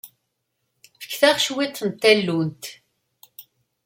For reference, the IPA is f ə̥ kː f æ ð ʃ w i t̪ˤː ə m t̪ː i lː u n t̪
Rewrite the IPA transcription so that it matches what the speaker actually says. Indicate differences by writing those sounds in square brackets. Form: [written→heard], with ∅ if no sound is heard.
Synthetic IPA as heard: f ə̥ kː [f→θ] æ [ð→ʁ] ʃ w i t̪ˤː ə [m→n] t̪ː [i→æ] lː u n t̪